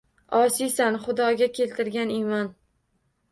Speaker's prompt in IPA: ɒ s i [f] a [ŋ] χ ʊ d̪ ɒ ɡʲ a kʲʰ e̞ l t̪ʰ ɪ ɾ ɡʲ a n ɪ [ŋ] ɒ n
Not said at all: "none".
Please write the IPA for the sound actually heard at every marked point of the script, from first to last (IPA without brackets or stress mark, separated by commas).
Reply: s, n, m